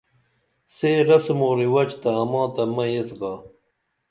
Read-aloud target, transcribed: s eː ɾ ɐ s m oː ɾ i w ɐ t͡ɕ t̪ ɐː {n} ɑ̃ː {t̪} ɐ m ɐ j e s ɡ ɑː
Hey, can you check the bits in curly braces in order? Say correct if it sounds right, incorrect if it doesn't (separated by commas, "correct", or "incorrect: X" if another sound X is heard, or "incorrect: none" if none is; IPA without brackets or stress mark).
incorrect: m, correct